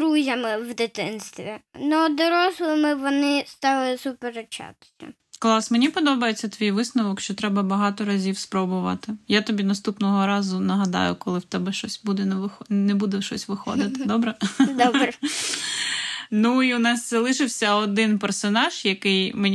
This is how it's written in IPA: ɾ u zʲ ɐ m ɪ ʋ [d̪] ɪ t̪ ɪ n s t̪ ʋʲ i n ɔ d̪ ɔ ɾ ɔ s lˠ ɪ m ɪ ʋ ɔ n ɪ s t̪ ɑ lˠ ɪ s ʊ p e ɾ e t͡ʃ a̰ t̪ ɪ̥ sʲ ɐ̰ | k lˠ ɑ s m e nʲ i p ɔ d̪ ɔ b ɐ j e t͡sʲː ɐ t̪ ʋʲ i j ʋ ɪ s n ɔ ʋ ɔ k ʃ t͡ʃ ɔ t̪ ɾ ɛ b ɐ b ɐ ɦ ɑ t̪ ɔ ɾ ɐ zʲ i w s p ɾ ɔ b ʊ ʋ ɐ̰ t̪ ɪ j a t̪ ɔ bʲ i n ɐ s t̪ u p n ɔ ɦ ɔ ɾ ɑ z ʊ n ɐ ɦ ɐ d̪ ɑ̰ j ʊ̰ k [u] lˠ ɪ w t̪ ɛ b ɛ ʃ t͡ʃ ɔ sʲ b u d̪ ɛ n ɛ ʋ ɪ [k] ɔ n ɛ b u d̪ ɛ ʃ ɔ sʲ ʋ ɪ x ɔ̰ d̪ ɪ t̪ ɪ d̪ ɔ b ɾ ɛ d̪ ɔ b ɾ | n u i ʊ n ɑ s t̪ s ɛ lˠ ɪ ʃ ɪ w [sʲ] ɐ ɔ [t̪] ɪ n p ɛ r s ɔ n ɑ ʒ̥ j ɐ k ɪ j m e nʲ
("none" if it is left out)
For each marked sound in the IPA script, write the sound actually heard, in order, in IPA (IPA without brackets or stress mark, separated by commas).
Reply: d̪, ɔ, x, sʲ, d̪